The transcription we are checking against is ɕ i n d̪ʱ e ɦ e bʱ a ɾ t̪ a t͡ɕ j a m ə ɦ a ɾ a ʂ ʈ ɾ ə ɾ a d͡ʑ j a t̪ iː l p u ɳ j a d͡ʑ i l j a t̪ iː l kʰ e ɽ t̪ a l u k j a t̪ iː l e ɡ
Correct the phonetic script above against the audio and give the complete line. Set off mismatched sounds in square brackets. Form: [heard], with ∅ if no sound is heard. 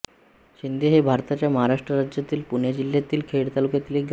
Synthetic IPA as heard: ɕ i n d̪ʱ e ɦ e bʱ a ɾ t̪ a t͡ɕ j a m ə ɦ a ɾ a ʂ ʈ ɾ ə ɾ a d͡ʑ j a t̪ iː l p u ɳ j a d͡ʑ i l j a t̪ iː l kʰ e ɽ t̪ a l u k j a t̪ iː l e ɡ